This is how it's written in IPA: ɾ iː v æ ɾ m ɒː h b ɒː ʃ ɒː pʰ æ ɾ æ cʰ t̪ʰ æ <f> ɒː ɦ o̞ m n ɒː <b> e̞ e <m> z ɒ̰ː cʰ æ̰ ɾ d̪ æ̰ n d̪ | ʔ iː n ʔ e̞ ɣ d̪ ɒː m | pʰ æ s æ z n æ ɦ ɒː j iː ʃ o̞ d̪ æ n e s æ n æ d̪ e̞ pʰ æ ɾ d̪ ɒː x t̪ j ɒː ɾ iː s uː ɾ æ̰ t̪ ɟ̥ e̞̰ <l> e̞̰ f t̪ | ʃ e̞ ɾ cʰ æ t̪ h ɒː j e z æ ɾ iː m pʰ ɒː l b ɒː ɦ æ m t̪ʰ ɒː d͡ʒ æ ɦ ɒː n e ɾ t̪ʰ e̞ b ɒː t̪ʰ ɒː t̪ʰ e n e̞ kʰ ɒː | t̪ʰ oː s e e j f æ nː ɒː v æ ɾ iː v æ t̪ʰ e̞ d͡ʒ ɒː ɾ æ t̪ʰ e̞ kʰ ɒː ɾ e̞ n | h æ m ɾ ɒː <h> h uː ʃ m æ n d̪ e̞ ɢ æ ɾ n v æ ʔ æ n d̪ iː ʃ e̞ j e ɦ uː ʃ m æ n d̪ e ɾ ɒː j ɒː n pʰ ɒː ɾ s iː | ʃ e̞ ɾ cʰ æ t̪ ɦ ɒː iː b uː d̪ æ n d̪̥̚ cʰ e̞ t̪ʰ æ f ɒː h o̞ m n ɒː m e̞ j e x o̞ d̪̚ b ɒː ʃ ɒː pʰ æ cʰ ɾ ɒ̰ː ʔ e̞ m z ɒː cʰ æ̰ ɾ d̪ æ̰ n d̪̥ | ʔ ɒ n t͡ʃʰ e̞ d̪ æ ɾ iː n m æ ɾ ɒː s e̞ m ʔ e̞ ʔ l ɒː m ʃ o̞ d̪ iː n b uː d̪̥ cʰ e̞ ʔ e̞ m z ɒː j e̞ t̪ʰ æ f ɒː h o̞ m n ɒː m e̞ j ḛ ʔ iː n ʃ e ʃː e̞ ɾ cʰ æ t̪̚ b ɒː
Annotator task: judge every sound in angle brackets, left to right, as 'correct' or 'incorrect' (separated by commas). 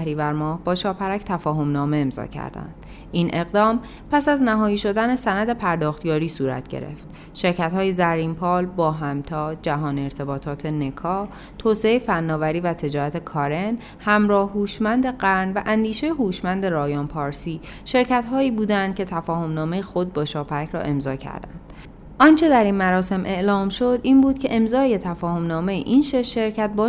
correct, incorrect, correct, incorrect, correct